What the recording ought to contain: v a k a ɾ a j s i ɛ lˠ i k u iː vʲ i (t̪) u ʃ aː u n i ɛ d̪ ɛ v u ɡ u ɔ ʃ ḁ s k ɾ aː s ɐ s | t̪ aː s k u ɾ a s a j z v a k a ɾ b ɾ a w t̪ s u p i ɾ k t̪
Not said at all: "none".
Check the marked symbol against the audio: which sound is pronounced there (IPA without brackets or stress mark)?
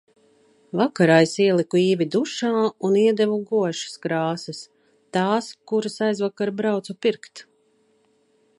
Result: d̪